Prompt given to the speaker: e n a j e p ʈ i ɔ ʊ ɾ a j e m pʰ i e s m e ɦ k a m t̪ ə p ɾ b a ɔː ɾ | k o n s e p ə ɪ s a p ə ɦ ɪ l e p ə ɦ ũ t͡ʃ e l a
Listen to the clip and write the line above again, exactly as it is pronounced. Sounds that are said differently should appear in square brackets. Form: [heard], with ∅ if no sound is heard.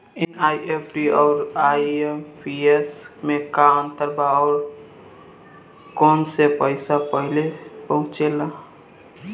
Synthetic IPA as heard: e n a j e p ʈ i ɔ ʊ ɾ a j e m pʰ i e s m e [∅] k a [n] t̪ ə [∅] ɾ b a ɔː ɾ | k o n s e p ə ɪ s a p ə ɦ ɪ l e p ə ɦ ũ t͡ʃ e l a

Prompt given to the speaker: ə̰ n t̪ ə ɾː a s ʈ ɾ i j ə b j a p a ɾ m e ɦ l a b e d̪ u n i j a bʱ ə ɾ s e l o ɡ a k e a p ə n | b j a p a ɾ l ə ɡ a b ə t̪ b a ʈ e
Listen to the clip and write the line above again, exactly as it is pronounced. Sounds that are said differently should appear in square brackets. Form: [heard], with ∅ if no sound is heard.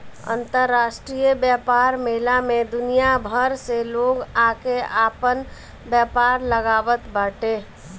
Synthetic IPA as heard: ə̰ n t̪ ə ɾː a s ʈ ɾ i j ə b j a p a ɾ m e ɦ l a [m] e d̪ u n i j a bʱ ə ɾ s e l o ɡ a k e a p ə n | b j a p a ɾ l ə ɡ a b ə t̪ b a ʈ e

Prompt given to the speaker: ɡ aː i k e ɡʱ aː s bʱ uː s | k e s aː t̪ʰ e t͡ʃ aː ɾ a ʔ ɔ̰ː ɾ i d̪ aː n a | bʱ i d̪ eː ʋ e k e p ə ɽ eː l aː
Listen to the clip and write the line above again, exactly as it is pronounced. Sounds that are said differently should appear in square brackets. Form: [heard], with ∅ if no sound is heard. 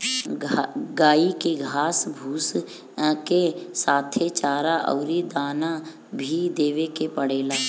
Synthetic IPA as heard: ɡ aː i k e ɡʱ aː s bʱ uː s | k e s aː t̪ʰ e t͡ʃ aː ɾ a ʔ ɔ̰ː ɾ i d̪ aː n a | bʱ i d̪ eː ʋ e k e p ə ɽ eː l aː

